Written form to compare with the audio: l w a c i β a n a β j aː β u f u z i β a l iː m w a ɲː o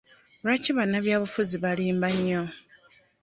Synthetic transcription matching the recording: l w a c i β a n a β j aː β u f u z i β a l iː m b a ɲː o